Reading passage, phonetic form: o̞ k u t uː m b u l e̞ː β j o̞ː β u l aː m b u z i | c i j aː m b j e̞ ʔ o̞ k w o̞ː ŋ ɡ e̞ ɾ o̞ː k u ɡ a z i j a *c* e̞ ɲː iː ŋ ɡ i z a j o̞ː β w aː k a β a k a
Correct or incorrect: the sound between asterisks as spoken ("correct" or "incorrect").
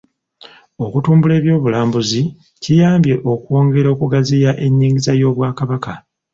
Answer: incorrect